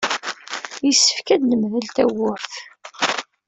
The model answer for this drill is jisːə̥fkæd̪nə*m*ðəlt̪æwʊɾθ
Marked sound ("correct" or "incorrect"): correct